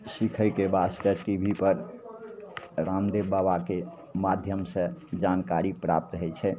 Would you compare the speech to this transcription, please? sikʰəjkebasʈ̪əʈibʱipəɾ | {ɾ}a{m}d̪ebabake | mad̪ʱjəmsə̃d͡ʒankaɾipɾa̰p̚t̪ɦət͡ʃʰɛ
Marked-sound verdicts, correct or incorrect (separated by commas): correct, correct